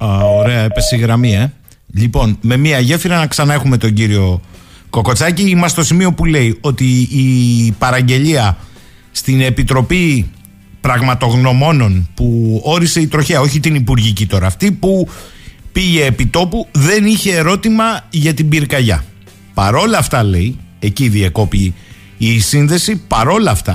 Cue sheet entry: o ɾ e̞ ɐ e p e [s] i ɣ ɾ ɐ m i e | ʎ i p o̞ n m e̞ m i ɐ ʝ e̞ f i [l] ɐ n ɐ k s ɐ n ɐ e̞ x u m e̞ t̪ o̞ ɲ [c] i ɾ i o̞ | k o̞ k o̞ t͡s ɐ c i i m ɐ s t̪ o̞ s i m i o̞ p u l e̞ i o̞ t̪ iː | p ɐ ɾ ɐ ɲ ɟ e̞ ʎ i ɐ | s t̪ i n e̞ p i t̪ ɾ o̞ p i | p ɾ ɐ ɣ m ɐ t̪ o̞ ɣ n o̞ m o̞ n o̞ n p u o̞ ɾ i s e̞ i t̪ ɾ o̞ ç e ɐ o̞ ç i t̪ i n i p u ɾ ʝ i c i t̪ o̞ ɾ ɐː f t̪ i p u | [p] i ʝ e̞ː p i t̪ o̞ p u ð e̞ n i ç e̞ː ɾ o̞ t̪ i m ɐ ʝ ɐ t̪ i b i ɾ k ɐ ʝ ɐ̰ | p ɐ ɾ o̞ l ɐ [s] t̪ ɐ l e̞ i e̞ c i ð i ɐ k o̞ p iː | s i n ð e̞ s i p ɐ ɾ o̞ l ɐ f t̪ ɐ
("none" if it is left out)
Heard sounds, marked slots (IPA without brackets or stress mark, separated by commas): s, ɾ, ɟ, p, f